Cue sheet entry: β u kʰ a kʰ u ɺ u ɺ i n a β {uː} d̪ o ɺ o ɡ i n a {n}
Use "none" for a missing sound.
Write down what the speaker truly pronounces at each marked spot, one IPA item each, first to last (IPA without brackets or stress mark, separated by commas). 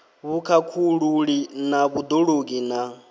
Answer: u, none